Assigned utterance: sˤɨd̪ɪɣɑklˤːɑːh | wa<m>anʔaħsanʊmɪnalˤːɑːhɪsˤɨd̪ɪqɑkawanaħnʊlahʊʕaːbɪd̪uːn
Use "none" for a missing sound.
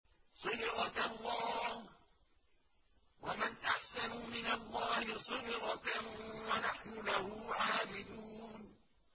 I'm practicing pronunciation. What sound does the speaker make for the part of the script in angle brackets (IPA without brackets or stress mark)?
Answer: m